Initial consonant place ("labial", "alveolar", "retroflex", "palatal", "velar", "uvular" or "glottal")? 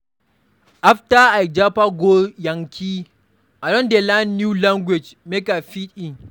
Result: glottal